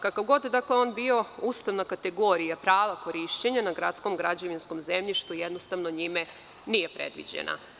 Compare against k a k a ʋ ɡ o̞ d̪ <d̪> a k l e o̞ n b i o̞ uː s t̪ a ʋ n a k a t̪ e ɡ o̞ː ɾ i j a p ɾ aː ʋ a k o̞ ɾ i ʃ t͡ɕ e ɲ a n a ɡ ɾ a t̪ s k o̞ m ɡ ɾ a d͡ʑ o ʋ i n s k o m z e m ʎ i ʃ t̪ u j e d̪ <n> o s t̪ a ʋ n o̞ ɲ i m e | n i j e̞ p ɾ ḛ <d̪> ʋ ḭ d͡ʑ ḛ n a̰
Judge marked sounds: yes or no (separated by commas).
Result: yes, yes, yes